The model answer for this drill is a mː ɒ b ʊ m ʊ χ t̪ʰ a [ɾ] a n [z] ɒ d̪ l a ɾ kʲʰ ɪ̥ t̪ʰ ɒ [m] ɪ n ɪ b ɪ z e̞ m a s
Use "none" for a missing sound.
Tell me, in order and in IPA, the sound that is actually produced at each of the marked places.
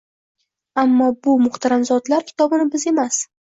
ɾ, z, b

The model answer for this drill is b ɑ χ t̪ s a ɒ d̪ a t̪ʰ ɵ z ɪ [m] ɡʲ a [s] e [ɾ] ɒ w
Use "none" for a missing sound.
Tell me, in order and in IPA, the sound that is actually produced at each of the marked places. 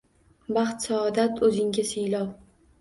ŋ, s, l

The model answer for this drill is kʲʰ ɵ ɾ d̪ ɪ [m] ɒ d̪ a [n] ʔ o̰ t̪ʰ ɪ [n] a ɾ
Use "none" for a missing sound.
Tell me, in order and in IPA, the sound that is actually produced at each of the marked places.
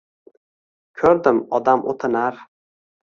m, m, n

